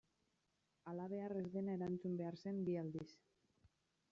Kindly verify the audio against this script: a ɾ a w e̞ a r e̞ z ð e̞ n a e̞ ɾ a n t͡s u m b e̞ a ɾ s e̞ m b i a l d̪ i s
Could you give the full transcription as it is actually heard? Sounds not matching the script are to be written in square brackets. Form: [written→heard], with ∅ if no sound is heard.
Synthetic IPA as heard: a [ɾ→l] a [w→β] e̞ a r e̞ z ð e̞ n a e̞ ɾ a n t͡s u m b e̞ a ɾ s e̞ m b i a l d̪ i s

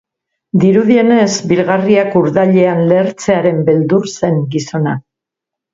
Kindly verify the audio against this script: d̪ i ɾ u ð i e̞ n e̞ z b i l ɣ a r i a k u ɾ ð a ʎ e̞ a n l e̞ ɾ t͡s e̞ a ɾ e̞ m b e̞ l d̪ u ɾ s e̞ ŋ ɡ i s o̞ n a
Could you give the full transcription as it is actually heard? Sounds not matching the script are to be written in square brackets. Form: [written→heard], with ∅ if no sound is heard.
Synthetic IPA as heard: d̪ i ɾ u ð i e̞ n e̞ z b i l ɣ a r i a k u ɾ ð a ʎ e̞ a n l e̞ ɾ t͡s e̞ a ɾ e̞ m b e̞ l d̪ u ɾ s e̞ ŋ ɡ i s o̞ n a

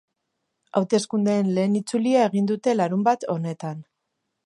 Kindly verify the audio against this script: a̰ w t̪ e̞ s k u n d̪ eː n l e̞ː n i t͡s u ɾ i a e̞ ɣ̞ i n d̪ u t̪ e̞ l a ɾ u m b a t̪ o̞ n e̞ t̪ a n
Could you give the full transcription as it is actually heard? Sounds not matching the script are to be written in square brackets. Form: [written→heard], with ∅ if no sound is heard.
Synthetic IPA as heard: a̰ w t̪ e̞ s k u n d̪ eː n l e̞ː n i t͡s u [ɾ→l] i a e̞ ɣ̞ i n d̪ u t̪ e̞ l a ɾ u m b a t̪ o̞ n e̞ t̪ a n

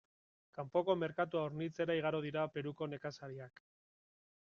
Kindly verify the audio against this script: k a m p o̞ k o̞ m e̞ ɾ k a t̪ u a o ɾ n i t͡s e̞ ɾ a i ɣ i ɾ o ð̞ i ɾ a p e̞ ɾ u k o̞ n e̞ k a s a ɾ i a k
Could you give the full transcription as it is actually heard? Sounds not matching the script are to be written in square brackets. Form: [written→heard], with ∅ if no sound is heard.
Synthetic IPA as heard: k a m p o̞ k o̞ m e̞ ɾ k a t̪ u a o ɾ n i t͡s e̞ ɾ a i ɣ [i→a] ɾ o ð̞ i ɾ a p e̞ ɾ u k o̞ n e̞ k a s a ɾ i a k

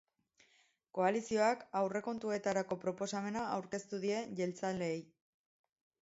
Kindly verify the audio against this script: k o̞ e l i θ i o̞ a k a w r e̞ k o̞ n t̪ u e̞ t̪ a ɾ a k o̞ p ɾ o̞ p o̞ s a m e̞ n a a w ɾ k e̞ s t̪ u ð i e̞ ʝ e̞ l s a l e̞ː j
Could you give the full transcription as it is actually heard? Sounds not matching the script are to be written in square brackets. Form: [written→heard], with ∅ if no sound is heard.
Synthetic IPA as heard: k o̞ [e→a] l i [θ→s] i o̞ a k a w r e̞ k o̞ n t̪ u e̞ t̪ a ɾ a k o̞ p ɾ o̞ p o̞ s a m e̞ n a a w ɾ k e̞ s t̪ u ð i e̞ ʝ e̞ l [s→t͡s] a l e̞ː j

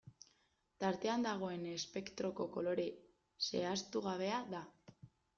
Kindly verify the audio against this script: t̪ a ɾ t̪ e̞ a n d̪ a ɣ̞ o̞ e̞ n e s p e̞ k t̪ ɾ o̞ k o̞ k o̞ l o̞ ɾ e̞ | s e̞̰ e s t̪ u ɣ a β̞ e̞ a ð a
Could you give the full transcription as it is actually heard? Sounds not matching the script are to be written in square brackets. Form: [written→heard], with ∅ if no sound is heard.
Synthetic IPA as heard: t̪ a ɾ t̪ e̞ a n d̪ a ɣ̞ o̞ e̞ n e s p e̞ k t̪ ɾ o̞ k o̞ k o̞ l o̞ ɾ e̞ | s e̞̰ [e→a] s t̪ u ɣ a β̞ e̞ a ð a

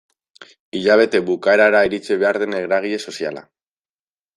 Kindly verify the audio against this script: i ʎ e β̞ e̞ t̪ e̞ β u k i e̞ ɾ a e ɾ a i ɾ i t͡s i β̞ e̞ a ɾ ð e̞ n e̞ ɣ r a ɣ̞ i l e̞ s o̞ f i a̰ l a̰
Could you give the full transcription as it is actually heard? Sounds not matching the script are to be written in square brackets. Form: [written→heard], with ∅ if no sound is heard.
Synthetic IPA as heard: i ʎ [e→a] β̞ e̞ t̪ e̞ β u k [i→a] e̞ ɾ a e ɾ a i ɾ i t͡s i β̞ e̞ a ɾ ð e̞ n e̞ ɣ [r→ɾ] a ɣ̞ i [l→ʎ] e̞ s o̞ [f→s] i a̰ l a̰

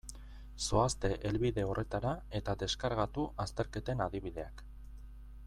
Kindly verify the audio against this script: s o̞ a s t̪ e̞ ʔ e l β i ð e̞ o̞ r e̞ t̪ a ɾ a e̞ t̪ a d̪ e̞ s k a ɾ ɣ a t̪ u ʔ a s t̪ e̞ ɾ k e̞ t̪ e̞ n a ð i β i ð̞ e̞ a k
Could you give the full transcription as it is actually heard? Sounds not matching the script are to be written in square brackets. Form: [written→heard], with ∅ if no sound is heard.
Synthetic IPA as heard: s o̞ a s t̪ e̞ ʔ e l β i ð e̞ o̞ r e̞ t̪ a ɾ a e̞ t̪ a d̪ e̞ s k a ɾ ɣ a t̪ u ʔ a s t̪ e̞ ɾ k e̞ t̪ e̞ n a ð i β i ð̞ e̞ a k

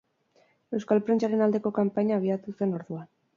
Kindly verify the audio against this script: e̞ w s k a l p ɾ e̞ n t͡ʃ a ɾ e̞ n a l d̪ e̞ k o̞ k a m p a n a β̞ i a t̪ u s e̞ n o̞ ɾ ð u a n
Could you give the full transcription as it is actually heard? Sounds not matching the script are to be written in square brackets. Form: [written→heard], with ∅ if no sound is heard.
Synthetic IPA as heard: e̞ w s k a l p ɾ e̞ n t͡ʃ a ɾ e̞ n a l d̪ e̞ k o̞ k a m p a [n→ɲ] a β̞ i a t̪ u s e̞ n o̞ ɾ ð u a n

